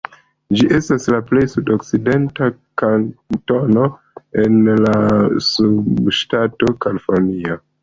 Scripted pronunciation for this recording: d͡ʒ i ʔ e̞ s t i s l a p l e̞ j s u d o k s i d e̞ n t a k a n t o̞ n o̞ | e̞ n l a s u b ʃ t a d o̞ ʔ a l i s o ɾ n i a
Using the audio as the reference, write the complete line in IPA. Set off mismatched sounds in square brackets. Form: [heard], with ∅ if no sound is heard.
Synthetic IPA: d͡ʒ i ʔ e̞ s t [a] s l a p l e̞ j s u d o k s i d e̞ n t a k a n t o̞ n o̞ | e̞ n l a s u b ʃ t a [t] o̞ [k] a l i [f] o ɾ n i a